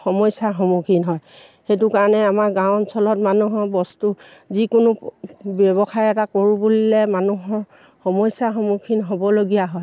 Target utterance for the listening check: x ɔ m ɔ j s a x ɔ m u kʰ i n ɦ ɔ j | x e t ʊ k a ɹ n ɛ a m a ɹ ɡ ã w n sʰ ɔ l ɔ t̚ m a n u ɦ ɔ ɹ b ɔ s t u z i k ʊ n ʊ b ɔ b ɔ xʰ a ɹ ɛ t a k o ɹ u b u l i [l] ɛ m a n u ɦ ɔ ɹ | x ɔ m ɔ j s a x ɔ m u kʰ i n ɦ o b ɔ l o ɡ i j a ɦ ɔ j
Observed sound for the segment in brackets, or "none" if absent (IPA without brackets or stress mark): l